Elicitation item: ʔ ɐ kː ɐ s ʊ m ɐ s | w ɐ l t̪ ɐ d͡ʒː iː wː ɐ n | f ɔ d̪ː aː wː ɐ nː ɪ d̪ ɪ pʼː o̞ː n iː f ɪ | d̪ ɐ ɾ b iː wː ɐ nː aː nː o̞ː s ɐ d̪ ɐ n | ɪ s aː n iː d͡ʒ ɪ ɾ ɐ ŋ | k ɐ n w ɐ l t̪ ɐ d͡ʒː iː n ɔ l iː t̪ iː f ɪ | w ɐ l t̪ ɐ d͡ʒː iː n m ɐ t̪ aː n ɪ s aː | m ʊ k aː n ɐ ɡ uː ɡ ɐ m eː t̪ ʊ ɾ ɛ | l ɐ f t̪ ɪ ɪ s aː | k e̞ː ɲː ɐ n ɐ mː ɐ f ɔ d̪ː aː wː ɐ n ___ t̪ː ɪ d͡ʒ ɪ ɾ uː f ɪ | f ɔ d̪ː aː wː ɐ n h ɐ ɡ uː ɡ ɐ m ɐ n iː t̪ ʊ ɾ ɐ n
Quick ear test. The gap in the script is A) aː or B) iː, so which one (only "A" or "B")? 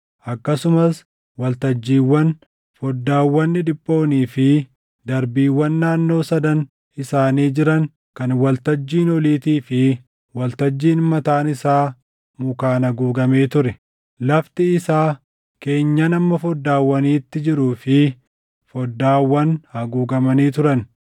B